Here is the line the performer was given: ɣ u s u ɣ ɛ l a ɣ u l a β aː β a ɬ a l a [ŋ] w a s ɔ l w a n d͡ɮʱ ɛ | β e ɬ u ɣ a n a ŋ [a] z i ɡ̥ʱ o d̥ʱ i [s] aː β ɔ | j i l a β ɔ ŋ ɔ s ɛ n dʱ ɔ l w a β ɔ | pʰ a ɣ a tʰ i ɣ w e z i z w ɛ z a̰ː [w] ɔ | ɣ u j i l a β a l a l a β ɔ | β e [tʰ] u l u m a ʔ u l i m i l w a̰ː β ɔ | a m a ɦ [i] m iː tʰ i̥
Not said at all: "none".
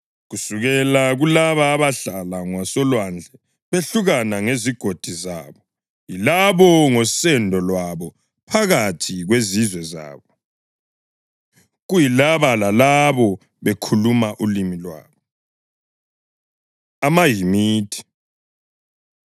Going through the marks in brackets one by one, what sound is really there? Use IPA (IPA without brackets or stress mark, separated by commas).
ŋ, e, z, β, kʰ, i